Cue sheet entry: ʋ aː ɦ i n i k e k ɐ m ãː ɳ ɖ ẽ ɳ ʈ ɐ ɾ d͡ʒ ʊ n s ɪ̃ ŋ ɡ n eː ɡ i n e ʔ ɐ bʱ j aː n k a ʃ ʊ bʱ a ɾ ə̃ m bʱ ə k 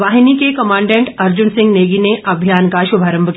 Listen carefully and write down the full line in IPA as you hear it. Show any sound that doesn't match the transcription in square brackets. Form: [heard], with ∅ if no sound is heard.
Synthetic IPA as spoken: ʋ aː ɦ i n i k e k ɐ m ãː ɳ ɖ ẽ ɳ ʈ ɐ ɾ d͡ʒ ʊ n s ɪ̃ ŋ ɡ n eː ɡ i n e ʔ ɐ bʱ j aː n k a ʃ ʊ bʱ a ɾ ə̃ m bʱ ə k